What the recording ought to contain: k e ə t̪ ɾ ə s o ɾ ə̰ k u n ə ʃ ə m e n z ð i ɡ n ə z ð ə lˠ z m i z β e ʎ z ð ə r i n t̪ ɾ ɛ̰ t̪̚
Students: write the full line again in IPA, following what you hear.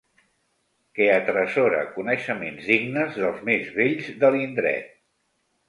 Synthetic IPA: k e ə t̪ ɾ ə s o ɾ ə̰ k u n ə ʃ ə m e n z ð i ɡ n ə z ð ə lˠ z m e z β e ʎ z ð ə l i n d̪ ɾ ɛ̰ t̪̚